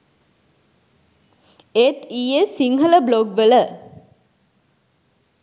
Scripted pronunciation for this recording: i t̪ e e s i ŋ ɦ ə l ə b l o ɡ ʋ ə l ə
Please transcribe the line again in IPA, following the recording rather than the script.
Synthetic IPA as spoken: e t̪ i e s i ŋ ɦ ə l ə b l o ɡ ʋ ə l ə